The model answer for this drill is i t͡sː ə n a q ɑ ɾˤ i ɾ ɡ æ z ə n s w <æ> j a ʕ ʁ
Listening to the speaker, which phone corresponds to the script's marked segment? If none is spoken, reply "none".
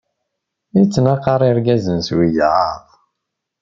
i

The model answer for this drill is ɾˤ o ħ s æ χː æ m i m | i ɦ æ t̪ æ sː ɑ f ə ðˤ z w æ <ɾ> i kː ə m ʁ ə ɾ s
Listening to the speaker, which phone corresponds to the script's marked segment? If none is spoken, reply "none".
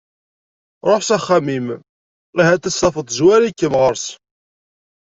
ɾ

